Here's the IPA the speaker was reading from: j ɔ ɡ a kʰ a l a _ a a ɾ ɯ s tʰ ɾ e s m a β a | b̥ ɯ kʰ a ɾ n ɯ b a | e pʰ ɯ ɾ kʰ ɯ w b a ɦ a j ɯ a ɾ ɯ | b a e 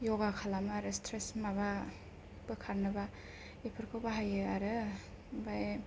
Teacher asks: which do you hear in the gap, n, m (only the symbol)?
m